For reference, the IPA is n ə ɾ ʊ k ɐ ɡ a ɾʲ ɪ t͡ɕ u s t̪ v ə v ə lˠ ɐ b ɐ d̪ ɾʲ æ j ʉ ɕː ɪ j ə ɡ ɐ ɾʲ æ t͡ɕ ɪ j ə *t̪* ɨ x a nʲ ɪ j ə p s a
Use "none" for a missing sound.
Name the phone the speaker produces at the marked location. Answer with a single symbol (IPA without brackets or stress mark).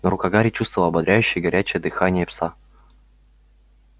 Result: d̪